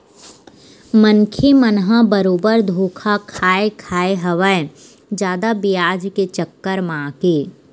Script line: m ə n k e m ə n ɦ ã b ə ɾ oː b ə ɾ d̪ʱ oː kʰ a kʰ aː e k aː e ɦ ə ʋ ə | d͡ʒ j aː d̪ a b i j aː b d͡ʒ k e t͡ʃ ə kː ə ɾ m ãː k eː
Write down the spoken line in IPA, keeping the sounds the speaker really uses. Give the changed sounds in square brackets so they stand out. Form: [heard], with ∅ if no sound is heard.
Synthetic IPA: m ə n [kʰ] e m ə n ɦ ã b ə ɾ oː b ə ɾ d̪ʱ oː kʰ a kʰ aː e [kʰ] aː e ɦ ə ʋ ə | d͡ʒ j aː d̪ a b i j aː [∅] d͡ʒ k e t͡ʃ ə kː ə ɾ m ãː k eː